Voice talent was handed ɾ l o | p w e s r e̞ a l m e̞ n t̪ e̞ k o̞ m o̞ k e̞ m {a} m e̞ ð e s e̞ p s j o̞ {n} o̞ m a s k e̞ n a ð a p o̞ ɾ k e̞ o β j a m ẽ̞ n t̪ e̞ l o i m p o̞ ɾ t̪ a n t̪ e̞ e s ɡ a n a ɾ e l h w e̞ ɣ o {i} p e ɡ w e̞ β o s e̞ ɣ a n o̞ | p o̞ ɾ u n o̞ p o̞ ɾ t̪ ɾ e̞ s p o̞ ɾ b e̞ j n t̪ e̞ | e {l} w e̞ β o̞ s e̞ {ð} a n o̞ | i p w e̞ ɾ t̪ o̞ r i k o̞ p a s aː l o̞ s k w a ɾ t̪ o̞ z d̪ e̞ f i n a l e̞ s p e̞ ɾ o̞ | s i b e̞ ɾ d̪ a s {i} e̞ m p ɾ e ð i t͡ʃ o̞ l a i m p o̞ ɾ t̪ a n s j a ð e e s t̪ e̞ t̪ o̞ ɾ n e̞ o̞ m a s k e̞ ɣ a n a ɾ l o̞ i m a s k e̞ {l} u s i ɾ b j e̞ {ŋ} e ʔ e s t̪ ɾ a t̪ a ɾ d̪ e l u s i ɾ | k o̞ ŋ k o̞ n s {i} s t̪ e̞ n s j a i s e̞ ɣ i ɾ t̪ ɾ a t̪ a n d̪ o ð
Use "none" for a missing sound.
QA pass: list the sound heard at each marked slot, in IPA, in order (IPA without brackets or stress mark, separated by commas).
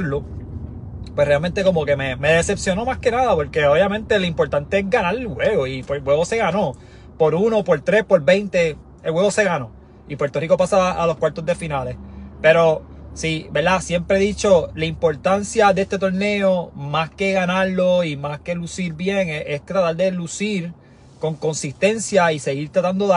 e, n, i, l, ɣ, j, l, ŋ, i